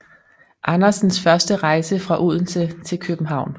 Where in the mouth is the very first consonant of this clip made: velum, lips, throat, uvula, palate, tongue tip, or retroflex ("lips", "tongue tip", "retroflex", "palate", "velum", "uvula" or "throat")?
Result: throat